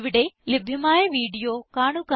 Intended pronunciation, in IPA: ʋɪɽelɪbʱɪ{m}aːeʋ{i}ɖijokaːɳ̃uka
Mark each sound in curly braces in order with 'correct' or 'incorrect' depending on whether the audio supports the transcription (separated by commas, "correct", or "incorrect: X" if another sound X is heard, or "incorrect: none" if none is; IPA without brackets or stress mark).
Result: correct, incorrect: iː